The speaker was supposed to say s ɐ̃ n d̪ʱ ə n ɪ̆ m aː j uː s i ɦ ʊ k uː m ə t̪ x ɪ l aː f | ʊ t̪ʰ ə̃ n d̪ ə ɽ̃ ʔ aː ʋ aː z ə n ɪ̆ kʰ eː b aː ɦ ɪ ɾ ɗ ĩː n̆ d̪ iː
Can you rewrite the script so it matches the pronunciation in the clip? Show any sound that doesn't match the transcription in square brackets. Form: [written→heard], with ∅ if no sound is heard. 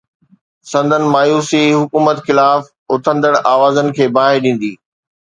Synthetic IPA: s ɐ̃ n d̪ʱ ə n ɪ̆ m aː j uː s i ɦ ʊ k uː m ə t̪ x ɪ l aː f | ʊ t̪ʰ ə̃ n d̪ ə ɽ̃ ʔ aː ʋ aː z ə n ɪ̆ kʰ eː b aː ɦ ɪ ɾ ɗ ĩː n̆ d̪ iː